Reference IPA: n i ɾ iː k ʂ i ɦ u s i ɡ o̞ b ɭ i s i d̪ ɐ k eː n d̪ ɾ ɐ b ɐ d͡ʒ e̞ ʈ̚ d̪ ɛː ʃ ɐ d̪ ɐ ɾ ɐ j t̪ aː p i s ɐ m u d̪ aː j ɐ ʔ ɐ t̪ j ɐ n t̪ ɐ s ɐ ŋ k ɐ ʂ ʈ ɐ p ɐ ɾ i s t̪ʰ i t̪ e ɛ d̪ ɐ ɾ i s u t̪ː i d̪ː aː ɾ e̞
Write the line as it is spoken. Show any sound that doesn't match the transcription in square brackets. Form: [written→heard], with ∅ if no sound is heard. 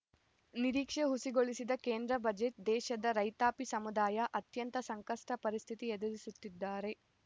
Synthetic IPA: n i ɾ iː k ʂ [i→e] ɦ u s i ɡ o̞ [b→∅] ɭ i s i d̪ ɐ k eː n d̪ ɾ ɐ b ɐ d͡ʒ e̞ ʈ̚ d̪ ɛː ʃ ɐ d̪ ɐ ɾ ɐ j t̪ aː p i s ɐ m u d̪ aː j ɐ ʔ ɐ t̪ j ɐ n t̪ ɐ s ɐ ŋ k ɐ ʂ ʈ ɐ p ɐ ɾ i s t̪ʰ i t̪ [e→i] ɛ d̪ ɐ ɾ i s u t̪ː i d̪ː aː ɾ e̞